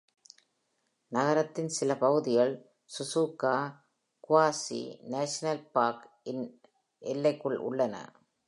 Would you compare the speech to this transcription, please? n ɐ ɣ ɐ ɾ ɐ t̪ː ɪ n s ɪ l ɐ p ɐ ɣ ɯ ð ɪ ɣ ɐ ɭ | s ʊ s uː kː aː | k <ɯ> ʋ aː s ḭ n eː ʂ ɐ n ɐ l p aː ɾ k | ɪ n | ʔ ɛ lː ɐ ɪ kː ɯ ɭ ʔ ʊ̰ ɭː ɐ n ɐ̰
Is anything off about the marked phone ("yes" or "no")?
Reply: yes